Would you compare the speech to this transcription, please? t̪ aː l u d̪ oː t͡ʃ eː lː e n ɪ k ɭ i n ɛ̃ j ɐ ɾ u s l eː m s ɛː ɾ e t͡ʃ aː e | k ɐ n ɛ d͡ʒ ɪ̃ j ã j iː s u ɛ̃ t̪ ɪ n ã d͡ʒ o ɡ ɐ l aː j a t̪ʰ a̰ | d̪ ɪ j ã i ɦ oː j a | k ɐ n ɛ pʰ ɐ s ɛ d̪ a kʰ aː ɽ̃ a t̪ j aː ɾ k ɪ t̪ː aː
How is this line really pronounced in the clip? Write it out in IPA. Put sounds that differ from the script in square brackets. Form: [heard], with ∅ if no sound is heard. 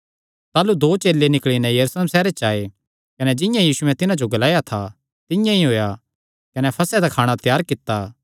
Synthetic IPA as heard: t̪ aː l u d̪ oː t͡ʃ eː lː e n ɪ k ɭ i n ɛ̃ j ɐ ɾ u s l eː m s ɛː ɾ e t͡ʃ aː e | k ɐ n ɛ d͡ʒ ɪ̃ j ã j iː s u ɛ̃ t̪ ɪ n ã d͡ʒ o ɡ ɐ l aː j a t̪ʰ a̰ | [t̪] ɪ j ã i ɦ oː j a | k ɐ n ɛ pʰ ɐ s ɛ d̪ a kʰ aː ɽ̃ a t̪ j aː ɾ k ɪ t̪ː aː